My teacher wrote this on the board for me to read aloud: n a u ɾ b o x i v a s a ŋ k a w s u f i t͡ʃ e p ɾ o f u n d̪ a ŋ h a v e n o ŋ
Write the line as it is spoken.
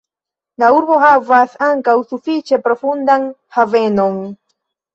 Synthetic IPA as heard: n a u ɾ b o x a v a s a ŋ k a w s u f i t͡ʃ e p ɾ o f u n d̪ a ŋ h a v e n o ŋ